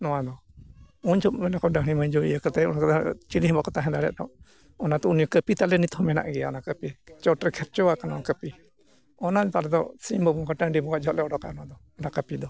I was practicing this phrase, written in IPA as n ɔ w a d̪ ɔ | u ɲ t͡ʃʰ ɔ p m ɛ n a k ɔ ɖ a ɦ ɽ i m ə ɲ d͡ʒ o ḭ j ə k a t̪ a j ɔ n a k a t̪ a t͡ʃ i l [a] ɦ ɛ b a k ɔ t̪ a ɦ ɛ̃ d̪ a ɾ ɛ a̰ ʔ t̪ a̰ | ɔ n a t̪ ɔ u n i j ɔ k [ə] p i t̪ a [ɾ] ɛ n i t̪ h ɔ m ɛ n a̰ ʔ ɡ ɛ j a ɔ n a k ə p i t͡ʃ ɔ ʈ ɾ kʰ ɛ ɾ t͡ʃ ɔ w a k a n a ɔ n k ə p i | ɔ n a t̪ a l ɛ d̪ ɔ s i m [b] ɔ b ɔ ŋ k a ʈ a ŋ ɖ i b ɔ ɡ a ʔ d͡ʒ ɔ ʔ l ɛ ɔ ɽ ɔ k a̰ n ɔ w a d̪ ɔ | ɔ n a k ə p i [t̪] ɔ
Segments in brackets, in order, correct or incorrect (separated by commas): incorrect, correct, incorrect, correct, incorrect